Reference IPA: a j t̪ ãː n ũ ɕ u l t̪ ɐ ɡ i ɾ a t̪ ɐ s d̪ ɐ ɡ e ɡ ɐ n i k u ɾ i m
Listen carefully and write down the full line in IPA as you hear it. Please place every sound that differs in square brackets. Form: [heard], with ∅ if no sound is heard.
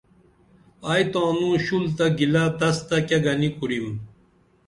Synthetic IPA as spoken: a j t̪ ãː n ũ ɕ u l t̪ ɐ ɡ i [l] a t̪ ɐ s [t̪] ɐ [k] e ɡ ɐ n i k u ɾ i m